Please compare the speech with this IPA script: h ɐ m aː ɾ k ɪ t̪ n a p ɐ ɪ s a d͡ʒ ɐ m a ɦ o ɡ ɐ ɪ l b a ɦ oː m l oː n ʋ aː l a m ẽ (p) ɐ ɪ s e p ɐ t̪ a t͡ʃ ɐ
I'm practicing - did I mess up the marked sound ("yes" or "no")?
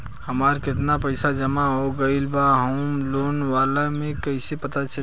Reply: yes